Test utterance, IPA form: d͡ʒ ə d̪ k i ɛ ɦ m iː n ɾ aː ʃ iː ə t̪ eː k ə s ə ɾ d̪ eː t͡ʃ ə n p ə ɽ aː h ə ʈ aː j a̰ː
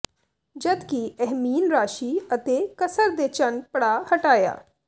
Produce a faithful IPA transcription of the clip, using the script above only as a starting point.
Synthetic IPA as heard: d͡ʒ ə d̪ k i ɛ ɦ m iː n ɾ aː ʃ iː ə t̪ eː k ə s ə ɾ d̪ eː t͡ʃ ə n p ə ɽ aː h ə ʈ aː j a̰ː